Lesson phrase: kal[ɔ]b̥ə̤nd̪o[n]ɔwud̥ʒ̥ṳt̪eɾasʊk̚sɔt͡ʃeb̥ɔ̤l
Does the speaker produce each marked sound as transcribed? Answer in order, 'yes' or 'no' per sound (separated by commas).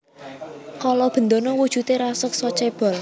yes, yes